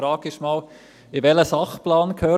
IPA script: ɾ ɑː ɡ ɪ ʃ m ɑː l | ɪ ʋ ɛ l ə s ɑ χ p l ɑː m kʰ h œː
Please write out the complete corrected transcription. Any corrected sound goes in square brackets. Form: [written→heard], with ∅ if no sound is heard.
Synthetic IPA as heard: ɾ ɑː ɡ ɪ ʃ m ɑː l | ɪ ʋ ɛ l ə s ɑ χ p l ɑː [m→n] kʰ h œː

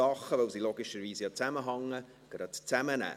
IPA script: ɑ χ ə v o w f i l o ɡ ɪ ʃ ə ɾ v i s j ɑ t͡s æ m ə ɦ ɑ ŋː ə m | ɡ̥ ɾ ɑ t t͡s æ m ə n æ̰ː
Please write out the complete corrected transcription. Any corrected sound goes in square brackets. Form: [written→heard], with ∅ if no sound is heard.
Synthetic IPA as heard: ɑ χ ə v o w [f→s] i l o ɡ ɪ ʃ ə ɾ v [i→iː] s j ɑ t͡s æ m ə ɦ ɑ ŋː ə [m→∅] | ɡ̥ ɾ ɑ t t͡s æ m ə n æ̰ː

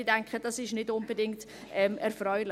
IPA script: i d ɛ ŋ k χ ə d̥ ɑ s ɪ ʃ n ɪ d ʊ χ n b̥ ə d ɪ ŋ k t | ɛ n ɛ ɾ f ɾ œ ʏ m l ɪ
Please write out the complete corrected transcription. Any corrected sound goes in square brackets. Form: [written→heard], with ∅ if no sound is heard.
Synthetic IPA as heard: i d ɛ ŋ k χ ə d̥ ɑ s ɪ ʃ n ɪ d ʊ [χ→∅] n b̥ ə d ɪ ŋ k t | ɛ [n→m] ɛ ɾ f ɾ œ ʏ [m→∅] l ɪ

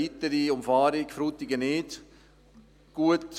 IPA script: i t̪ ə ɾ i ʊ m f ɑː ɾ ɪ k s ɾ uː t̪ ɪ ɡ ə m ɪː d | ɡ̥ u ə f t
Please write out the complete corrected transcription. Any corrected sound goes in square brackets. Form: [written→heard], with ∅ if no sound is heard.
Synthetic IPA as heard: i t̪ ə ɾ i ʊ m f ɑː ɾ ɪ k [s→f] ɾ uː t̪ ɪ ɡ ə [m→n] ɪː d | ɡ̥ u ə [f→∅] t

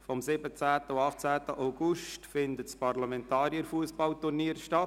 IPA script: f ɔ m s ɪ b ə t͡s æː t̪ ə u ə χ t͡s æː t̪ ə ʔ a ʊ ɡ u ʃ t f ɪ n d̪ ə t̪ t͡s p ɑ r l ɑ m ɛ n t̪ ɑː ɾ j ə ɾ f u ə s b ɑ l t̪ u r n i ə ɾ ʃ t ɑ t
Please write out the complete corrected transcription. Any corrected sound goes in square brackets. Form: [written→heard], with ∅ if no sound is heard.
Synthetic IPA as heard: f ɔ m s ɪ b ə t͡s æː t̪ ə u [ə→ɑ] χ t͡s æː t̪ ə ʔ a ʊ ɡ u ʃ t f ɪ n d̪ ə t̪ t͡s p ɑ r l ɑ m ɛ n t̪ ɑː ɾ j ə ɾ f u ə s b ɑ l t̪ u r n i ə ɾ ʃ t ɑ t

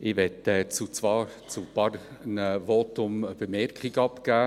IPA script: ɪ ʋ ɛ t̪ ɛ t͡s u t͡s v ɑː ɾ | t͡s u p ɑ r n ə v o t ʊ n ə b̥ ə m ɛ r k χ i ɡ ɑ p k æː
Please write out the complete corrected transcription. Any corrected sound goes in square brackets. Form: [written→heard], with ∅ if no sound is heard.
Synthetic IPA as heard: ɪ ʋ ɛ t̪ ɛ t͡s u t͡s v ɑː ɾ | t͡s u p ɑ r n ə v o t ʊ [n→m] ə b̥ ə m ɛ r k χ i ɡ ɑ p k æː

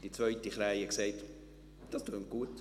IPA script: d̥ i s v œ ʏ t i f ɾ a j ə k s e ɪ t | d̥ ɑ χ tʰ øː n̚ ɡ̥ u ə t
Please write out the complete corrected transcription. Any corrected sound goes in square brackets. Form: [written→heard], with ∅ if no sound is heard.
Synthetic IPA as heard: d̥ i [s→t͡s] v œ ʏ t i [f→χ] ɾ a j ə k s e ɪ t | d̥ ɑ [χ→s] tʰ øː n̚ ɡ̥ u ə t

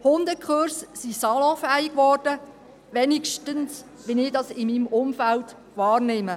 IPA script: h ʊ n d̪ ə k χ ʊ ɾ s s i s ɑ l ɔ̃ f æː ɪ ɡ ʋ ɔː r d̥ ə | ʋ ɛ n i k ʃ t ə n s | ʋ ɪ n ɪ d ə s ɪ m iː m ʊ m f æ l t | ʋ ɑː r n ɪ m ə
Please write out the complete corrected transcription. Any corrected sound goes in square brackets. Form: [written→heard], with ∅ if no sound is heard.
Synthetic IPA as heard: h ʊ n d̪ ə k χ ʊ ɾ s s i s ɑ l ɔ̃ f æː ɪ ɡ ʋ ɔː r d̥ ə | ʋ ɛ n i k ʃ t ə n s | ʋ ɪ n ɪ d [ə→ɑ] s ɪ m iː m ʊ m f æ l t | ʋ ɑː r n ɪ m ə

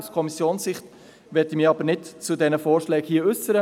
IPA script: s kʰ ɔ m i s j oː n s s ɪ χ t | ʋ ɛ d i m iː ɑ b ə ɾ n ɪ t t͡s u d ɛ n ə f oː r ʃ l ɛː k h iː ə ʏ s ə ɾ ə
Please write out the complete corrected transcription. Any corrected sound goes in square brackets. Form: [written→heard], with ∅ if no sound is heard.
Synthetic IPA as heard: s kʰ ɔ m i s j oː n s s ɪ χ t | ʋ ɛ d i m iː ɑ b ə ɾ n ɪ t t͡s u d ɛ n ə f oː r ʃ l ɛː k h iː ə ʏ s ə ɾ ə

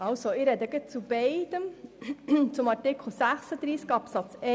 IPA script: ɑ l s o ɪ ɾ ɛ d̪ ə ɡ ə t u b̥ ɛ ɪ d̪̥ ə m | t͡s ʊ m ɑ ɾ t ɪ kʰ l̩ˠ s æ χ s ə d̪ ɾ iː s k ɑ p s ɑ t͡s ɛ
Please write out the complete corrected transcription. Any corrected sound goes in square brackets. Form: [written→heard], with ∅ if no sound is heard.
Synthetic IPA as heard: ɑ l s o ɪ ɾ ɛ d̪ ə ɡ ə [t→t͡s] u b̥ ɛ ɪ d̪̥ ə m | t͡s ʊ m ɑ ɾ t ɪ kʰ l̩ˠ s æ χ s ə d̪ ɾ iː s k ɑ p s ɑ t͡s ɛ

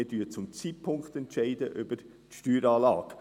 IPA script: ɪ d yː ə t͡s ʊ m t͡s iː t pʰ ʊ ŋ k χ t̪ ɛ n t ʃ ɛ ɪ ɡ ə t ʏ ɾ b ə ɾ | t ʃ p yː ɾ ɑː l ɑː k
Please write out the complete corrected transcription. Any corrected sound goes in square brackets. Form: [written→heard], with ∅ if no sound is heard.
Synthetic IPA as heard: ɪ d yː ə t͡s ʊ m t͡s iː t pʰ ʊ ŋ k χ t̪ ɛ n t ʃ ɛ ɪ [ɡ→d] ə [t→ʔ] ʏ [ɾ→∅] b ə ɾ | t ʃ [p→t] yː ɾ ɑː l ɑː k

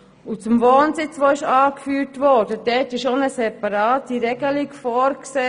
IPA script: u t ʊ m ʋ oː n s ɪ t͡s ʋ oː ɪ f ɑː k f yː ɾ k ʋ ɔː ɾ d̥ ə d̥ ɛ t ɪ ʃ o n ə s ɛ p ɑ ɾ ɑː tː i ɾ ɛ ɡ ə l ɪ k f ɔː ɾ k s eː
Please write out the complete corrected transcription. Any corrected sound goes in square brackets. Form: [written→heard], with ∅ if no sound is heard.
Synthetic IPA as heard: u [t→t͡s] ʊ m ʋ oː n s ɪ t͡s ʋ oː ɪ [f→ʃ] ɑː k f yː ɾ [k→t] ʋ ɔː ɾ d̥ ə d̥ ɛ t ɪ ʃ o n ə s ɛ p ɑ ɾ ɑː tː i ɾ ɛ ɡ ə l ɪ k f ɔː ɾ k s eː

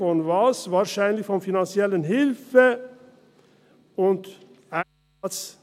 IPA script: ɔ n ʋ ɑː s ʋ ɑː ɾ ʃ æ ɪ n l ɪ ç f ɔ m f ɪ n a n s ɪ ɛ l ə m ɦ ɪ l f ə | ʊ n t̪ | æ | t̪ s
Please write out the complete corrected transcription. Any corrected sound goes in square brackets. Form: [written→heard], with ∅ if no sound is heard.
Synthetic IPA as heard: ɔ n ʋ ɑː s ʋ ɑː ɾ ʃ æ ɪ n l ɪ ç f ɔ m f ɪ n [a→ɑ] n s ɪ ɛ l ə [m→n] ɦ ɪ l f ə | ʊ n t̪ | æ | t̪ s

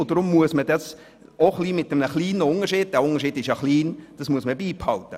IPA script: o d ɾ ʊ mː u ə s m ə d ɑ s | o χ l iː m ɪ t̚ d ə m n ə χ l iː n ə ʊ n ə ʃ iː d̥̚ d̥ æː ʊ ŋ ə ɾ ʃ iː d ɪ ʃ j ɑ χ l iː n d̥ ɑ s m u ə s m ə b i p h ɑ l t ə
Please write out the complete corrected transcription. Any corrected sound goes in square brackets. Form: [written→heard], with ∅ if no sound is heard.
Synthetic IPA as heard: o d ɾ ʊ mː u ə s m ə d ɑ s | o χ l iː m ɪ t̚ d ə m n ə χ l iː n ə ʊ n ə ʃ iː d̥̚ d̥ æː ʊ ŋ ə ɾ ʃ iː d ɪ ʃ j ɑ χ l iː n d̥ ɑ s m u ə s m ə b [i→iː] p h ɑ l t ə

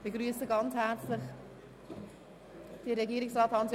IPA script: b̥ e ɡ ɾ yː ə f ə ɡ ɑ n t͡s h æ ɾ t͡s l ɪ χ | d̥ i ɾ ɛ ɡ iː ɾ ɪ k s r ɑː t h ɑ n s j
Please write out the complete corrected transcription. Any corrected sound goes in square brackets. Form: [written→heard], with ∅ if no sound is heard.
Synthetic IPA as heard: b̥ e ɡ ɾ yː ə [f→s] ə ɡ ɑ n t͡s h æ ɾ t͡s l ɪ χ | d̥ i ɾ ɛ ɡ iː ɾ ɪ k s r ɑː t h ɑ n s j

